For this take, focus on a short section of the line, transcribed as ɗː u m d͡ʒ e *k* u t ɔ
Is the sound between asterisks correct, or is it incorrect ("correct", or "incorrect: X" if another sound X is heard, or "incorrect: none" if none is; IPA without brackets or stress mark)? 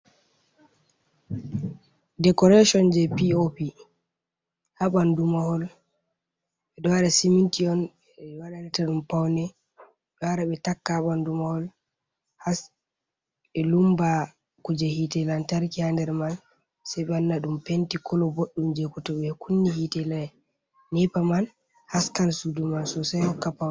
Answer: correct